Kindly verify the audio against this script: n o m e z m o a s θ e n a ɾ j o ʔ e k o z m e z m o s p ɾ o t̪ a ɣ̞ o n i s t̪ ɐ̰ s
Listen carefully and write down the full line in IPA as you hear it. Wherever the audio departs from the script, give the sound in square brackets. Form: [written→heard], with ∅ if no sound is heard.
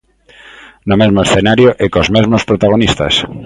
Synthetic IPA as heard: n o m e z m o [a→e] s θ e n a ɾ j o ʔ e k o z m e z m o s p ɾ o t̪ a ɣ̞ o n i s t̪ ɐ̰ s